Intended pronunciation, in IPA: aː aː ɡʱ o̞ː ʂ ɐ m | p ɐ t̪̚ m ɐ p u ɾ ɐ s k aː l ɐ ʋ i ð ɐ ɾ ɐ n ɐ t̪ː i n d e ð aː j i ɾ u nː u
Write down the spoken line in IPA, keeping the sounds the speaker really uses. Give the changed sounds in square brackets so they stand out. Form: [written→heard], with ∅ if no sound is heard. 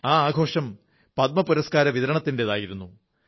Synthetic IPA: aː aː ɡʱ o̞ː ʂ ɐ m | p ɐ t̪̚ m ɐ p u ɾ ɐ s k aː [l→ɾ] ɐ ʋ i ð ɐ ɾ ɐ [n→ɳ] ɐ t̪ː i n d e ð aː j i ɾ u nː u